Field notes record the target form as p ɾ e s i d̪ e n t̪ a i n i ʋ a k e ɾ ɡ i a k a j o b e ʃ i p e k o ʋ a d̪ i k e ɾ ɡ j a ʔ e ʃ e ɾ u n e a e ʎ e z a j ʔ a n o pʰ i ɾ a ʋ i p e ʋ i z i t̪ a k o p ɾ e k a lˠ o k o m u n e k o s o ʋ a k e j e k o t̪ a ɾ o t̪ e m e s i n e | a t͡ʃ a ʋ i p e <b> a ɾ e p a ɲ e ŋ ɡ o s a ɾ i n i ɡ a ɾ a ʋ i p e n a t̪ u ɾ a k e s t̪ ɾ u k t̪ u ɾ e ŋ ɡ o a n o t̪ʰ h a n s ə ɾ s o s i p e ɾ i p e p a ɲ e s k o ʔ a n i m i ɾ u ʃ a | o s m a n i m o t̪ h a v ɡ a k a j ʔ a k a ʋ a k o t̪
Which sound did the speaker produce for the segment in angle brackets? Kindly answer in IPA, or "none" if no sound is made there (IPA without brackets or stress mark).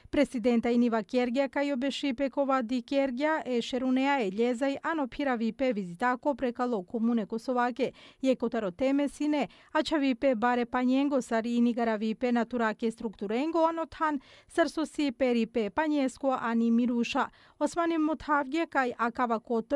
b